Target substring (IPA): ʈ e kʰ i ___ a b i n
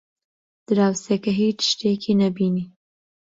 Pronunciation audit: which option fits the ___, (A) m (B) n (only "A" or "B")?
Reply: B